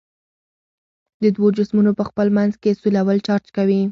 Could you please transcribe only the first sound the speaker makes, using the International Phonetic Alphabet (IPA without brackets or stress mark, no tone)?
d̪